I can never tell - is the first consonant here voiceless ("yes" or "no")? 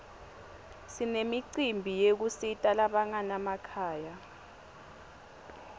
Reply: yes